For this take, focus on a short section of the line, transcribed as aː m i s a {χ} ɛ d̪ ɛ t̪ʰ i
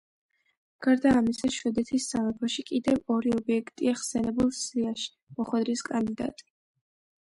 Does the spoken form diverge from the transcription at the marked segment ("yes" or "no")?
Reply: yes